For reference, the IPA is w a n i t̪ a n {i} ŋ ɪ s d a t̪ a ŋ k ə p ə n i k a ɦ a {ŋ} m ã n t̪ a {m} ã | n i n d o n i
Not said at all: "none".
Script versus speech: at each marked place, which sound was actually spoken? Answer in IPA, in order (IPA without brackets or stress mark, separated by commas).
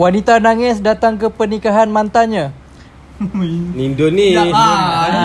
a, n, ɲ